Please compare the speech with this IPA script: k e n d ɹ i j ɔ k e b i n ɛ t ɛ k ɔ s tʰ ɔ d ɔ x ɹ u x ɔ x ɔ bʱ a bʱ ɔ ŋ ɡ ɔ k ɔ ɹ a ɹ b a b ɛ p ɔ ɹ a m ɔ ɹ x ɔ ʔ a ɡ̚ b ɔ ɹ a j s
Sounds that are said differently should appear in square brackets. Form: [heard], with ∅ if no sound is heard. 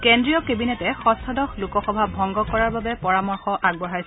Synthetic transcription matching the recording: k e n d ɹ i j ɔ k e b i n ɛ t ɛ [x] ɔ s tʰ ɔ d ɔ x [l] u [k] ɔ x ɔ bʱ a bʱ ɔ ŋ ɡ ɔ k ɔ ɹ a ɹ b a b ɛ p ɔ ɹ a m ɔ ɹ x ɔ ʔ a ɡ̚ b ɔ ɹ a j s